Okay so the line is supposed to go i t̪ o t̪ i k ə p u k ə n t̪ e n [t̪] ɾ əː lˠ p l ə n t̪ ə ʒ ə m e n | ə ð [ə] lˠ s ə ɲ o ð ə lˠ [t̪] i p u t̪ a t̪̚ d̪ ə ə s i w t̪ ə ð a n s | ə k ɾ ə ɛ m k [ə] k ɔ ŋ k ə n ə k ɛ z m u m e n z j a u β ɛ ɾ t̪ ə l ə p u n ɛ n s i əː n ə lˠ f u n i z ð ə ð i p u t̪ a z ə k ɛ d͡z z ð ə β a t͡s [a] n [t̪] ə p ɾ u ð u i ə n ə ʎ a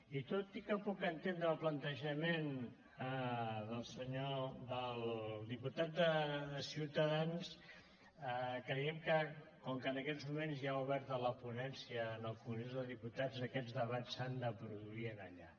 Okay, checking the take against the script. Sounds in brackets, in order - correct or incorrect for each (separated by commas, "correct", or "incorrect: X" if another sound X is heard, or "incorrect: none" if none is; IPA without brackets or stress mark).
incorrect: d̪, correct, incorrect: d̪, correct, correct, incorrect: d̪